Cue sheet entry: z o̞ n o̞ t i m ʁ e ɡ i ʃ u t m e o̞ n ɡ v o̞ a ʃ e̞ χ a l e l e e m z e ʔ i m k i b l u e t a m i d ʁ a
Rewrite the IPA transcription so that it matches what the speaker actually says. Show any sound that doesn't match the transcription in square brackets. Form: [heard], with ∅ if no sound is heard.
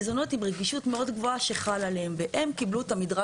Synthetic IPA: z o̞ n o̞ t i m ʁ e ɡ i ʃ u t m e o̞ [d] ɡ v o̞ a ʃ e̞ χ a l [a] l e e m [v] e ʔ [e] m k i b l u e t a m i d ʁ a